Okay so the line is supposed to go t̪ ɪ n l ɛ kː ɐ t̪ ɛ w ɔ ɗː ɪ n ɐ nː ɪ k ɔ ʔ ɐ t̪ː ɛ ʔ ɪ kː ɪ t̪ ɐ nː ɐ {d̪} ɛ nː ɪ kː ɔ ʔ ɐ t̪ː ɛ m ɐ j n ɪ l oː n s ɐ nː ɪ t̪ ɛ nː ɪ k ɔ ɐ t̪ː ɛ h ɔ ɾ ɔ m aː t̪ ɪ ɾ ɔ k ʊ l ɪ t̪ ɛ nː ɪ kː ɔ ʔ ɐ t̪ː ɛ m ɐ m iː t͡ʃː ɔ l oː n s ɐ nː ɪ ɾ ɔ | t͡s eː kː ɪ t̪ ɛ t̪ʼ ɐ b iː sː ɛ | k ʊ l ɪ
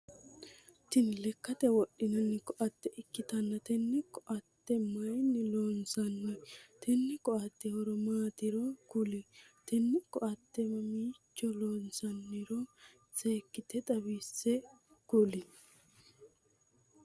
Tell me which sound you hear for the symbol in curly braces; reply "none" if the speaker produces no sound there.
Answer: t̪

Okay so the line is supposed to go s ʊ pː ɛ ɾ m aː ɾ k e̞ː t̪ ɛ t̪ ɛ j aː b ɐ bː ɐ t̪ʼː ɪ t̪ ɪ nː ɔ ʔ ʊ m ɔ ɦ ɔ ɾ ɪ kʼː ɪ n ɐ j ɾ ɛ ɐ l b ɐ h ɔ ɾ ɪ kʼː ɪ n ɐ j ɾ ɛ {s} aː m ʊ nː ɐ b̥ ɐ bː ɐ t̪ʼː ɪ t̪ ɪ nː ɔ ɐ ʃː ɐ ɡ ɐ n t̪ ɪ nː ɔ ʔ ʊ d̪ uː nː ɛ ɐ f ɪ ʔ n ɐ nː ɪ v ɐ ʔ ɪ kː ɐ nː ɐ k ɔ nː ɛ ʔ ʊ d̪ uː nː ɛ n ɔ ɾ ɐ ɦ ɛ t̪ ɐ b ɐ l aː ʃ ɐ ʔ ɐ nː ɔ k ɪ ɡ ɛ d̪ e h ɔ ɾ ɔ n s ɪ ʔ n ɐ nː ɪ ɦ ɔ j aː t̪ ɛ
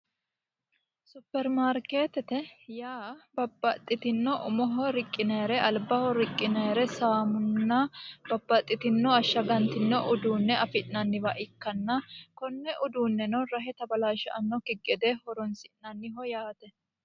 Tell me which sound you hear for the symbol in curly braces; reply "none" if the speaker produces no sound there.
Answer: s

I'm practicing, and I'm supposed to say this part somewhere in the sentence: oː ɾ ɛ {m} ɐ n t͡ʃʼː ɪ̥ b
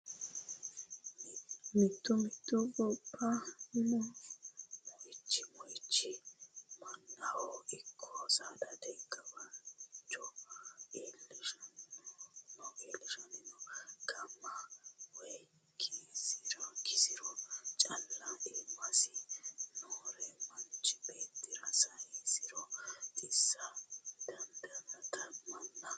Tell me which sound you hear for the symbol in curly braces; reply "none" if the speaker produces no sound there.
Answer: m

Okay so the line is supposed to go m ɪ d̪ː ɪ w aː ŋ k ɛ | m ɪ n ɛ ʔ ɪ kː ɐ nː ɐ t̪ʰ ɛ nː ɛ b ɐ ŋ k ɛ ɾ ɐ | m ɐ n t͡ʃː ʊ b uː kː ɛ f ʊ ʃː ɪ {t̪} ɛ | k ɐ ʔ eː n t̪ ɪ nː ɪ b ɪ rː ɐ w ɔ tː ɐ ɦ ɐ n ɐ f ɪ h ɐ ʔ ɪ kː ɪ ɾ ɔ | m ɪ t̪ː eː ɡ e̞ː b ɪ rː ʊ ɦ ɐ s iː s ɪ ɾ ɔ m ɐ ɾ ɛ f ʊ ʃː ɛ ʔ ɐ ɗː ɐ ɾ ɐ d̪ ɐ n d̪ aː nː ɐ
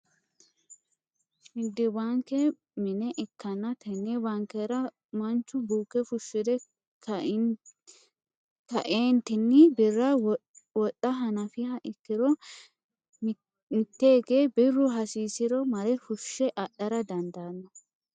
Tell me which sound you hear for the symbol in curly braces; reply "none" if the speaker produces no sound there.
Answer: d̪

